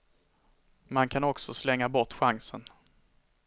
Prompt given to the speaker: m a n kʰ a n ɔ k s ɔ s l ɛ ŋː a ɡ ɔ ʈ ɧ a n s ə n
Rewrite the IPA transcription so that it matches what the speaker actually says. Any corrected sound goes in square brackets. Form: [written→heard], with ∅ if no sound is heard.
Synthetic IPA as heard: m a n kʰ a n ɔ k s ɔ s l ɛ ŋː a [ɡ→b] ɔ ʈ ɧ a [n→ŋ] s ə n